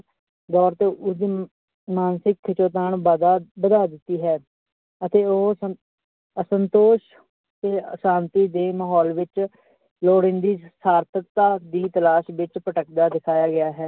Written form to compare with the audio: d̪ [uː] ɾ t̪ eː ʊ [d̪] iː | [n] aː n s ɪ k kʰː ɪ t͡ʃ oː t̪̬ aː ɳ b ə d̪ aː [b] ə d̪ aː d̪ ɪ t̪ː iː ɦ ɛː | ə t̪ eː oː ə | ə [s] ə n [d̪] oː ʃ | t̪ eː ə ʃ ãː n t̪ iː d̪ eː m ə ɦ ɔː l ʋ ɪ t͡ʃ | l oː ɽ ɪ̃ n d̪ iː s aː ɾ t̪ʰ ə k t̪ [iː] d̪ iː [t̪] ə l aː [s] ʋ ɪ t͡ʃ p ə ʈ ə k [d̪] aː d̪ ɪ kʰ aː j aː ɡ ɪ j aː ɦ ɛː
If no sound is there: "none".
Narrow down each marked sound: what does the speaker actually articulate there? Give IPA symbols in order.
ɔː, d̪, m, b, s, t̪, aː, t̪, ʃ, d̪

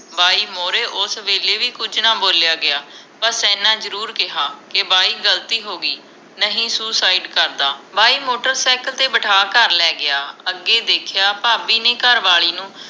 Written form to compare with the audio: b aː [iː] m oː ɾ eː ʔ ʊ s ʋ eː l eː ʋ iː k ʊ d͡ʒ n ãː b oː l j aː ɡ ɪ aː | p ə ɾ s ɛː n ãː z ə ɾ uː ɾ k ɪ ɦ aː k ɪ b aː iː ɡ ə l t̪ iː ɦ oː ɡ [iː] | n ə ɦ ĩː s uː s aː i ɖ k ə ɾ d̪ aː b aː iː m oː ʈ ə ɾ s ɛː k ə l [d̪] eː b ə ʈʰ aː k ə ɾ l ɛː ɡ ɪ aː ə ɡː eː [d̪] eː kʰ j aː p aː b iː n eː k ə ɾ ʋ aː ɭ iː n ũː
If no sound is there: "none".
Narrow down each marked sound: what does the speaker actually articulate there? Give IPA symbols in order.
iː, iː, t̪, d̪

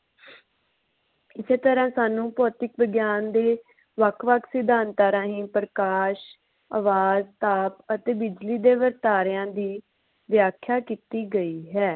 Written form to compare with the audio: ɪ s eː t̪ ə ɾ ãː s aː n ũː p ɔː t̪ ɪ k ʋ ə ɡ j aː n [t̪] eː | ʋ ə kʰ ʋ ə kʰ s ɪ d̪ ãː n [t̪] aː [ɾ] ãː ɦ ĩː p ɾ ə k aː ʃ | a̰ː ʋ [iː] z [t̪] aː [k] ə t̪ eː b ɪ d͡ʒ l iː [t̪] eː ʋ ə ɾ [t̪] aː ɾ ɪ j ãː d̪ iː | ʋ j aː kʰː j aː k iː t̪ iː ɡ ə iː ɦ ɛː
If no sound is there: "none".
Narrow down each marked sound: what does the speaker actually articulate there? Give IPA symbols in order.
d̪, t̪, ɾ, aː, t̪, p, d̪, t̪

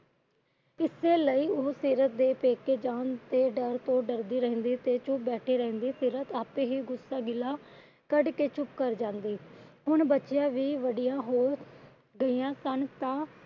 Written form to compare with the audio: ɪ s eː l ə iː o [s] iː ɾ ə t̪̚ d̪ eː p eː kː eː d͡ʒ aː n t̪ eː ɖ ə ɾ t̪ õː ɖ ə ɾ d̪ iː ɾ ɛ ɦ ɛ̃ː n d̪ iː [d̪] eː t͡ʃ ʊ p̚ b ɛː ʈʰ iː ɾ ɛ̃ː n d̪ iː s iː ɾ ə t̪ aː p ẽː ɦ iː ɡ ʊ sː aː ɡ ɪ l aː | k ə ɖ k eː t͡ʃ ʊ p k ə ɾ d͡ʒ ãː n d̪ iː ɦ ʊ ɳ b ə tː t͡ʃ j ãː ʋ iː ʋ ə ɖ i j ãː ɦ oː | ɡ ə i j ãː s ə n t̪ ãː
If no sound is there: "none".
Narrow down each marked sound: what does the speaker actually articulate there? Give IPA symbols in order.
s, t̪

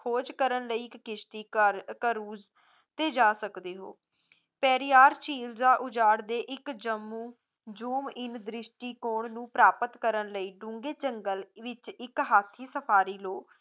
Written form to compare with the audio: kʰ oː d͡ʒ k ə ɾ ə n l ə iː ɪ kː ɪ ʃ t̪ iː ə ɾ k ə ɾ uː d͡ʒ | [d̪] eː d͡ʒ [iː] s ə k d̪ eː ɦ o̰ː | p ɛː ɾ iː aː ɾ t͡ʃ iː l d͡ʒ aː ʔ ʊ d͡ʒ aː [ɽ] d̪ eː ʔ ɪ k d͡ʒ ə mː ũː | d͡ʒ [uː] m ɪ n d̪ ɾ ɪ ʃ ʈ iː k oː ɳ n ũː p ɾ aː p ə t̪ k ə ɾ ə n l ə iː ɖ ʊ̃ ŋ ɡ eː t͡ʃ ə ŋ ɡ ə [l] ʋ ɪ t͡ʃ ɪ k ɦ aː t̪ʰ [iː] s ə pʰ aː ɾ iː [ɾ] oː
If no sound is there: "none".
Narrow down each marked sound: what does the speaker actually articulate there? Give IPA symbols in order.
t̪, aː, ɽ, uː, l, iː, l

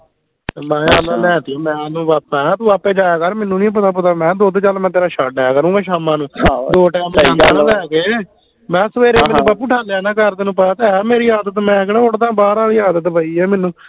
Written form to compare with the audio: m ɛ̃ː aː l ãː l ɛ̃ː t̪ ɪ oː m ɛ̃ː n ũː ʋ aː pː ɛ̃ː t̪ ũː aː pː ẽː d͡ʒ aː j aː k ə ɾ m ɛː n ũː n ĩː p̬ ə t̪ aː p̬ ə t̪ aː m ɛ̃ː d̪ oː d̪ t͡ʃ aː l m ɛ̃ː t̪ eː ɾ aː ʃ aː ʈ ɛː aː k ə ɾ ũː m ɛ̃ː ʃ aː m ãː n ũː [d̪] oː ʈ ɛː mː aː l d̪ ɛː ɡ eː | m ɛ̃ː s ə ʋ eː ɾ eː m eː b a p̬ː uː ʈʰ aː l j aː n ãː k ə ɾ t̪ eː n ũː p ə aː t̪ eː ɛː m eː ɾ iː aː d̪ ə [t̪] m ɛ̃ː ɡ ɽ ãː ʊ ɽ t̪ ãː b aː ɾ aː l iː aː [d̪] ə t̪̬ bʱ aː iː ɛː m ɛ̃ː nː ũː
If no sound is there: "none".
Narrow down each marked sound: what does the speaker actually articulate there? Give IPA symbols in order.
d̪, t̪, d̪

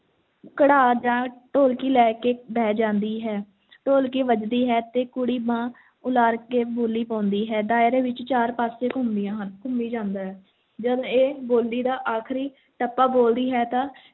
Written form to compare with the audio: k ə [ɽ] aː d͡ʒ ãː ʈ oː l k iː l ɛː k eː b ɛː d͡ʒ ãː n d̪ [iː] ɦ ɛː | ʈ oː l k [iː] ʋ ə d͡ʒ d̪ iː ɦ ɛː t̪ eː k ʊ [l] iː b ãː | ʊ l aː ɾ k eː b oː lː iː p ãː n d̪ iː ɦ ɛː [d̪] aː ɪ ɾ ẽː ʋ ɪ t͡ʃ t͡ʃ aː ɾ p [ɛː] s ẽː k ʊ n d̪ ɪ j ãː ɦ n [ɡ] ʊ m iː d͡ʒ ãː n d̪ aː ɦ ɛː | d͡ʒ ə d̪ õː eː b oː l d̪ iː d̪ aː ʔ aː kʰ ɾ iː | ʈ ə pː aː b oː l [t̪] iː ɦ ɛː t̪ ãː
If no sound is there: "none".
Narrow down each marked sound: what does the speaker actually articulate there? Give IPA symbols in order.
ɽ, iː, iː, ɽ, d̪, aː, k, d̪

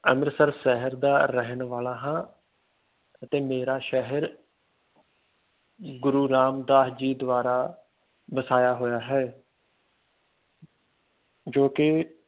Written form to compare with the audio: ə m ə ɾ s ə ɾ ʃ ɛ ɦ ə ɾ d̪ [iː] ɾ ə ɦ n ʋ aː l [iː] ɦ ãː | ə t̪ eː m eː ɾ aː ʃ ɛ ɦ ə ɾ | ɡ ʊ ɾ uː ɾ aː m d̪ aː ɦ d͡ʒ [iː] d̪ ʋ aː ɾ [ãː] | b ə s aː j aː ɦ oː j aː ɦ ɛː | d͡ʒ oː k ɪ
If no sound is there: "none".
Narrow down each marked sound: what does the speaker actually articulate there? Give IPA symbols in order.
aː, aː, iː, aː

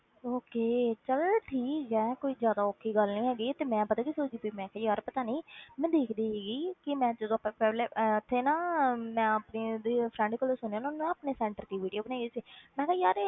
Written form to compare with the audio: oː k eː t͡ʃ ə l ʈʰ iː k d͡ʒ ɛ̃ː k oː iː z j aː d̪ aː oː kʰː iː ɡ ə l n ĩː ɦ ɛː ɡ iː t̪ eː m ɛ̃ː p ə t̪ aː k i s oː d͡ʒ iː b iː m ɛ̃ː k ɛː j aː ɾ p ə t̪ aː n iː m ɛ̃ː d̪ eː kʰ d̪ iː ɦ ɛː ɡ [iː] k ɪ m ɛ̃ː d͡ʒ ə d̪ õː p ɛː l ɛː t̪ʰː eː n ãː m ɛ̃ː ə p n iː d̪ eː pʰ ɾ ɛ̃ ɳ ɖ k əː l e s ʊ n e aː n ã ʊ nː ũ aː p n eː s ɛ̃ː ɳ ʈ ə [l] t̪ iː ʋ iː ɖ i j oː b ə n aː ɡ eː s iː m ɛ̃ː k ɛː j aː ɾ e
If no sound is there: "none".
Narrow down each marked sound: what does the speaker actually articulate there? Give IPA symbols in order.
iː, ɾ

